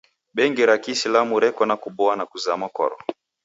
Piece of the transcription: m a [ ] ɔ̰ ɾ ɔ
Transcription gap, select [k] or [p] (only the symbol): k